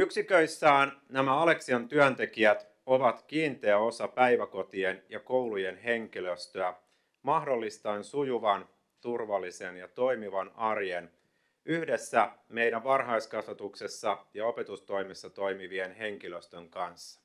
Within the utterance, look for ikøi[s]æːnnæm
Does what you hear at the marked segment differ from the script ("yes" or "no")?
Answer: yes